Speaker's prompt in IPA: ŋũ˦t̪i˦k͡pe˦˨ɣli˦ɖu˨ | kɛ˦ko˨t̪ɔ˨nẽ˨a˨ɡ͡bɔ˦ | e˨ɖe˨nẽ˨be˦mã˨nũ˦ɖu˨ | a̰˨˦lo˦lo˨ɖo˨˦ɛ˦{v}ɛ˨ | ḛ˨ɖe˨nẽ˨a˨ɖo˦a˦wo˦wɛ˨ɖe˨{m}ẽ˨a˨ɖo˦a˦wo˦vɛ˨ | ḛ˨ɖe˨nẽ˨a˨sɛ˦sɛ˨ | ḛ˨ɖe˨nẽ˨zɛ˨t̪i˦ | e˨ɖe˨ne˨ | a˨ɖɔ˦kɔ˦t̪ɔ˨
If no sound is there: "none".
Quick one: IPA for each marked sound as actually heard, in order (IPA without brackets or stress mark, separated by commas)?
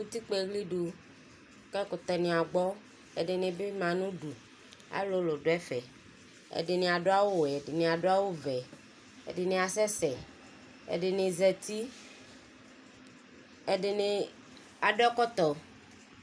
f, n